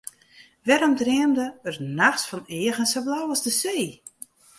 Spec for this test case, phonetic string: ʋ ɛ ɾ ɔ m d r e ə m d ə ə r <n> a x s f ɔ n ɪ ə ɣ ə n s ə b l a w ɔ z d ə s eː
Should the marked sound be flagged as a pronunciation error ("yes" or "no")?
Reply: no